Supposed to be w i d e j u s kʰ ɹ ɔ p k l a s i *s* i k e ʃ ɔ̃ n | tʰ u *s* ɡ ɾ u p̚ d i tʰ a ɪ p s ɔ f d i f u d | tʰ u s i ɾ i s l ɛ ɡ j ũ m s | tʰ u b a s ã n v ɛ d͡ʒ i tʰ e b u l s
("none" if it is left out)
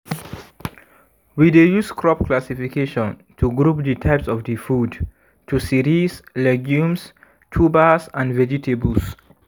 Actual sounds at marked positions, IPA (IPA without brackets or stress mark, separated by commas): f, none